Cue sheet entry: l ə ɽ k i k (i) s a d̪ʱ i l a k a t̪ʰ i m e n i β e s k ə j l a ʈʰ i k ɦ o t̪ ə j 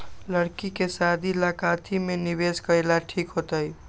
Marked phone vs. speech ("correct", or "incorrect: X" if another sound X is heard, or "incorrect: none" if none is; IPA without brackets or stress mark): incorrect: e